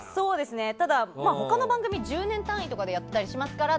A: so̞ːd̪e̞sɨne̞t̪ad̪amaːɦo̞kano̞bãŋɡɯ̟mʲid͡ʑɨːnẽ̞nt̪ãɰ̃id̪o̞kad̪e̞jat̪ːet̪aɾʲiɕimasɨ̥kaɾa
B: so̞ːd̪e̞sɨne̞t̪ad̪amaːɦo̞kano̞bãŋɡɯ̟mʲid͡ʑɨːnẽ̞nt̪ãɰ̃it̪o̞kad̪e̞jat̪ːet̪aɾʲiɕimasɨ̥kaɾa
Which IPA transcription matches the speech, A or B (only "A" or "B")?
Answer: B